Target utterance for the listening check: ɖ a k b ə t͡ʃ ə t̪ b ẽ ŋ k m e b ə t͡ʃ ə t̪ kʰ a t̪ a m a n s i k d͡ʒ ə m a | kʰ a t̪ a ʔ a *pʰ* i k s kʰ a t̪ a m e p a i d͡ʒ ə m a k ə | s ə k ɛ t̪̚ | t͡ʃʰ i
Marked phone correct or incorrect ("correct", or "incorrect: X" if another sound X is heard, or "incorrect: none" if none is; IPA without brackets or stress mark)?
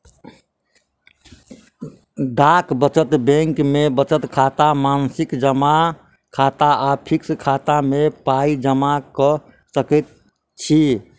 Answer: correct